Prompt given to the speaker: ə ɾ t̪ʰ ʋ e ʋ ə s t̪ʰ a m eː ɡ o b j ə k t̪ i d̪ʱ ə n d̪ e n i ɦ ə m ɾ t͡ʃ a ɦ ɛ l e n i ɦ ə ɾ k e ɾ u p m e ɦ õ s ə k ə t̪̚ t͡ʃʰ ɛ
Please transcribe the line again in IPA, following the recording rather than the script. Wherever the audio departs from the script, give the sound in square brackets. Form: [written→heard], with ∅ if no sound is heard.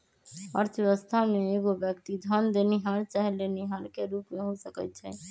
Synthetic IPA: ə ɾ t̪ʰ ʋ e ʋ ə s t̪ʰ a m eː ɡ o b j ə k t̪ i d̪ʱ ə n d̪ e n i ɦ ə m ɾ t͡ʃ a ɦ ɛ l e n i ɦ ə ɾ k e ɾ u p m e ɦ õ s ə k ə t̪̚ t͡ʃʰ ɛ